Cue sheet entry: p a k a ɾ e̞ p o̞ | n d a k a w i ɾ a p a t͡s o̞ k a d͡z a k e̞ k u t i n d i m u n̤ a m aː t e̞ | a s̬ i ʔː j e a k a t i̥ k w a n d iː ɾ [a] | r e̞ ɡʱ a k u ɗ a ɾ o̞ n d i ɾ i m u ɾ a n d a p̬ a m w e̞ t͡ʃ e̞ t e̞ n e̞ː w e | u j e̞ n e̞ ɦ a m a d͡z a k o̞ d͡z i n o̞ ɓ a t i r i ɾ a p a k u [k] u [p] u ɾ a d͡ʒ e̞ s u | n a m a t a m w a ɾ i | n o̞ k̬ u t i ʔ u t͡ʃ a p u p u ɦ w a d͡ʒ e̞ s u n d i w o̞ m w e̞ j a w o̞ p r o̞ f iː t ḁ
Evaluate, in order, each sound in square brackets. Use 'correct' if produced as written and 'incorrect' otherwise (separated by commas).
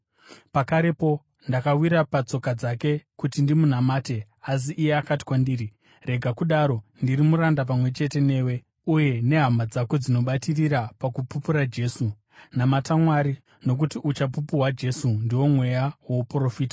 incorrect, incorrect, correct